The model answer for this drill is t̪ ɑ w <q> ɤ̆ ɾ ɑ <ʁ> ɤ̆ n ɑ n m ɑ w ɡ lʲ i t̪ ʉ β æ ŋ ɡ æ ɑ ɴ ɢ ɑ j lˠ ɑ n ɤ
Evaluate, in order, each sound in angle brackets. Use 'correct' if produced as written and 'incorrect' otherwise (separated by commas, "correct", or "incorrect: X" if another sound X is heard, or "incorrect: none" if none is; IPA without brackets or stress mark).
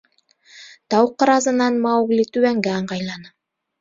correct, incorrect: z